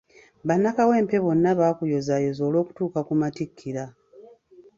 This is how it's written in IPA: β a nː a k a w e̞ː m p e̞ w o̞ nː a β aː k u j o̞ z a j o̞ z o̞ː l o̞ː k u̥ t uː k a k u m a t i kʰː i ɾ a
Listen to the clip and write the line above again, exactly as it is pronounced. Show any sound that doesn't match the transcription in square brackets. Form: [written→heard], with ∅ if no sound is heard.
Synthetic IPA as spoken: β a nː a k a w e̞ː m p e̞ [w→β] o̞ nː a β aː k u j o̞ z a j o̞ z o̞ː l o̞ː k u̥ t uː k a k u m a t i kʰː i ɾ a